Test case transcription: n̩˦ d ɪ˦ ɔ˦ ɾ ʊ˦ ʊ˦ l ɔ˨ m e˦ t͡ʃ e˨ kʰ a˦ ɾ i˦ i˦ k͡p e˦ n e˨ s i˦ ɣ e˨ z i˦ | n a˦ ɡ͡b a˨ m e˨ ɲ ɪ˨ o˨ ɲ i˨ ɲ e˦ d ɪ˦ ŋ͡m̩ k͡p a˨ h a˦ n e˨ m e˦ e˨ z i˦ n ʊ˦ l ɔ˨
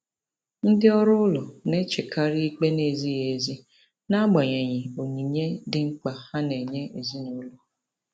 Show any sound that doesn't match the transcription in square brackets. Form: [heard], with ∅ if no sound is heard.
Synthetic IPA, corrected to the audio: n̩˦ d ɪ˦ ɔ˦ ɾ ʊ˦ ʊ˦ l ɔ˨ [n] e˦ t͡ʃ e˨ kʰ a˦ ɾ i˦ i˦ k͡p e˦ n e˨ [z] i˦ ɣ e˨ z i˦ | n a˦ ɡ͡b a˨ [ɲ] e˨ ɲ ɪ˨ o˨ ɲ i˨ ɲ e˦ d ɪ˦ ŋ͡m̩ k͡p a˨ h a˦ n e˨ [ɲ] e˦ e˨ z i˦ n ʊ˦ l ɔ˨

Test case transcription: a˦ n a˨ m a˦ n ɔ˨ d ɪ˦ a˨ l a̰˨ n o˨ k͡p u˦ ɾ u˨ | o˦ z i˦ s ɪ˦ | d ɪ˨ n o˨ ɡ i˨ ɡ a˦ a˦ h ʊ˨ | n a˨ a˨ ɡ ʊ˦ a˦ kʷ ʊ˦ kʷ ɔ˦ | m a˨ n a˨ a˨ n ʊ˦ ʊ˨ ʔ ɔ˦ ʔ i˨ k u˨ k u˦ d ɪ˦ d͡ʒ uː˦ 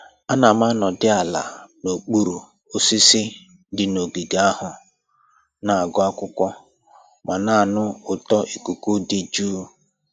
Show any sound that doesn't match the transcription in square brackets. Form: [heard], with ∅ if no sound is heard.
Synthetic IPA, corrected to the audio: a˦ n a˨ m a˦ n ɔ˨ d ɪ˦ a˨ l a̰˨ n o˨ k͡p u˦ ɾ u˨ | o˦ [s] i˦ s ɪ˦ | d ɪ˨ n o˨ ɡ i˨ ɡ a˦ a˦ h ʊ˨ | n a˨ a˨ ɡ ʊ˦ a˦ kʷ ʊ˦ kʷ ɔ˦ | m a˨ n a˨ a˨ n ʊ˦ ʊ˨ [t] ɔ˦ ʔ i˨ k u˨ k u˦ d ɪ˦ d͡ʒ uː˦

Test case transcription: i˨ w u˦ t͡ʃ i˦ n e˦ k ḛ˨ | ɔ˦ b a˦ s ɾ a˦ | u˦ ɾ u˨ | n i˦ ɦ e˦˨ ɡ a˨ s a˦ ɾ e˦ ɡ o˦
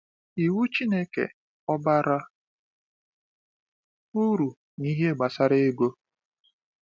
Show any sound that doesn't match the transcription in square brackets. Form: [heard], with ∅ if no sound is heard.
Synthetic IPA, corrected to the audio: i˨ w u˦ t͡ʃ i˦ n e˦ k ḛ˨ | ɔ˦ b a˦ [∅] ɾ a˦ | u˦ ɾ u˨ | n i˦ ɦ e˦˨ [ɡ͡b] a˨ s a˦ ɾ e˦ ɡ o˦

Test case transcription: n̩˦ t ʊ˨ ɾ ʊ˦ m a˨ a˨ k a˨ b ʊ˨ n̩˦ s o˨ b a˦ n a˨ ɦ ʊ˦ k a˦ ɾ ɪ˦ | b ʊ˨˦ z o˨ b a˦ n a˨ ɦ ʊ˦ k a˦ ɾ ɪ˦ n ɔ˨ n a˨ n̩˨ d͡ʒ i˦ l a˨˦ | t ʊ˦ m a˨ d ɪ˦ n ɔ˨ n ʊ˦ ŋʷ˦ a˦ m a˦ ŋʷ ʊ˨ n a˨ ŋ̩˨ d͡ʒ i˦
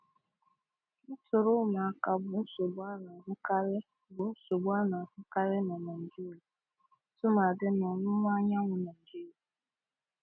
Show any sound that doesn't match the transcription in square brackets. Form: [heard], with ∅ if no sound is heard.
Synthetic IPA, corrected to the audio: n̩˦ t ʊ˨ ɾ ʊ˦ m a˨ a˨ k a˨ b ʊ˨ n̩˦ s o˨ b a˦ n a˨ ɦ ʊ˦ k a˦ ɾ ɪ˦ | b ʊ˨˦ [s] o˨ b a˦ n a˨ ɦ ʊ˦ k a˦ ɾ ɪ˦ n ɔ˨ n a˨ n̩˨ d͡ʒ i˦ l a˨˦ | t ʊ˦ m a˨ d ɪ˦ n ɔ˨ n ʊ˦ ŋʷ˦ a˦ [ɲ] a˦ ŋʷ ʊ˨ n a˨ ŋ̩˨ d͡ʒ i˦

